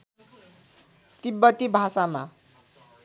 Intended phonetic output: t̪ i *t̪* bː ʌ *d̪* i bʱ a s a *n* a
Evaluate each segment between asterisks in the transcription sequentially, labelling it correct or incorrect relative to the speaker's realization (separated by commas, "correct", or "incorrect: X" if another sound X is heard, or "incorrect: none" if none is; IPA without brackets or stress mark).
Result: incorrect: none, incorrect: t̪, incorrect: m